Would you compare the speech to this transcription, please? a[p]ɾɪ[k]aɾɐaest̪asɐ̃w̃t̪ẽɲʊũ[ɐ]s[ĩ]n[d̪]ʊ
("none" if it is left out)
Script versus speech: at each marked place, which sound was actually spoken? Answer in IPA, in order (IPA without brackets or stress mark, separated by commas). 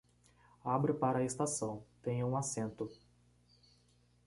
b, p, a, ẽ, t̪